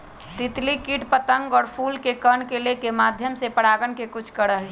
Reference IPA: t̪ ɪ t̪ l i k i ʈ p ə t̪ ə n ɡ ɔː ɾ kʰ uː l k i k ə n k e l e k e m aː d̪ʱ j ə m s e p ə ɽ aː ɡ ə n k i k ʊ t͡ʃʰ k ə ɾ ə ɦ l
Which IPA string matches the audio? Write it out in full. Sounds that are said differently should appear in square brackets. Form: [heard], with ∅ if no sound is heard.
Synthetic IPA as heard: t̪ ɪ t̪ l i k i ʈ p ə t̪ ə [ŋ] ɡ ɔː ɾ [pʰ] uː l k [e] k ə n k e l e k e m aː d̪ʱ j ə m s e p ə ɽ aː ɡ ə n k [e] k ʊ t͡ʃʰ k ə ɾ ə ɦ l